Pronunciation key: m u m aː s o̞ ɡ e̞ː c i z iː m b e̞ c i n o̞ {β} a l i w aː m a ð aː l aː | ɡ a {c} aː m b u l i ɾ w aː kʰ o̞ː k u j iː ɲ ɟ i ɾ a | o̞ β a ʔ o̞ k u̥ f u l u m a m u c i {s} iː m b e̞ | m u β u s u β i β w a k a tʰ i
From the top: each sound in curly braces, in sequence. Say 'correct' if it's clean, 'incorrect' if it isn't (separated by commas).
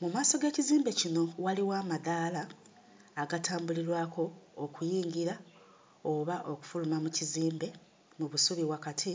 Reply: incorrect, incorrect, incorrect